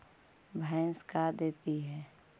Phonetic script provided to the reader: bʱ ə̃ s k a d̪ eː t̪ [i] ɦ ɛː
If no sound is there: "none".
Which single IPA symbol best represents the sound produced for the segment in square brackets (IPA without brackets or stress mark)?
i